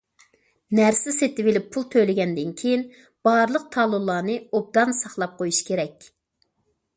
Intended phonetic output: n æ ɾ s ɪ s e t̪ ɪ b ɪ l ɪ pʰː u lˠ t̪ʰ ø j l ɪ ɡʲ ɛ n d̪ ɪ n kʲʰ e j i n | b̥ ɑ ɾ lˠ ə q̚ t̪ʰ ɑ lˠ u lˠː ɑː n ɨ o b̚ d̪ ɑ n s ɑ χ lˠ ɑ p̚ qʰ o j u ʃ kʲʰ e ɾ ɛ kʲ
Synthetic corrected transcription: n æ ɾ s ɪ s e t̪ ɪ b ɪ l ɪ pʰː u lˠ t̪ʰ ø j l ɪ ɡʲ ɛ n d̪ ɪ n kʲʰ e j i n | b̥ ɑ ɾ lˠ ə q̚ t̪ʰ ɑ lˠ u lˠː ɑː n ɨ o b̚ d̪ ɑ n s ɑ χ lˠ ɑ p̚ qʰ o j u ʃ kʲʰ e ɾ ɛ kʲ